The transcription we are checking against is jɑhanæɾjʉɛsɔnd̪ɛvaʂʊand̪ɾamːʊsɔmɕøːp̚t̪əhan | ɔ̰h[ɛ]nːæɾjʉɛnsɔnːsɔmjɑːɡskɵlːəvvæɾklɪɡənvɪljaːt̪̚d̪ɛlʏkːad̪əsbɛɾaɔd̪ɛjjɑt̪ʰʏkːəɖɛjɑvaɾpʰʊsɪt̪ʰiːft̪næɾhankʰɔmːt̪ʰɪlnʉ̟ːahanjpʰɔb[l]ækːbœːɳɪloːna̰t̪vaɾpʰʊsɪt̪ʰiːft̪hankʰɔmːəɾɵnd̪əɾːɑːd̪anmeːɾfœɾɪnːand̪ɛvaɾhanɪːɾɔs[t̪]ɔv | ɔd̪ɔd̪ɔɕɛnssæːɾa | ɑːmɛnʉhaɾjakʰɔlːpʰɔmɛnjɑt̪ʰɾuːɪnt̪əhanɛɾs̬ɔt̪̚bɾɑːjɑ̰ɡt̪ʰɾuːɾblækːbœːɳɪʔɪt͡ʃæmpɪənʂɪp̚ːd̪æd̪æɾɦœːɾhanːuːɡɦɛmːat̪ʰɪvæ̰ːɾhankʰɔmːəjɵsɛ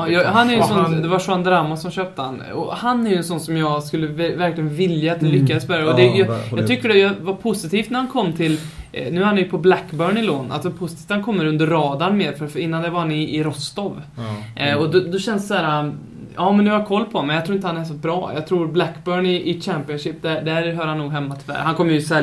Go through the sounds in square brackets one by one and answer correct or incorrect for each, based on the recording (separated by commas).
incorrect, correct, correct